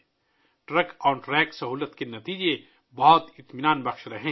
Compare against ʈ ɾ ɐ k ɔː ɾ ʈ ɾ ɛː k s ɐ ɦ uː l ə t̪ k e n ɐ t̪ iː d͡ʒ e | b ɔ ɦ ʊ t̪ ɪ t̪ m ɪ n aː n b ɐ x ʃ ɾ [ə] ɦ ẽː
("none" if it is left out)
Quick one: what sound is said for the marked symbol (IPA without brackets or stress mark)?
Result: ɐ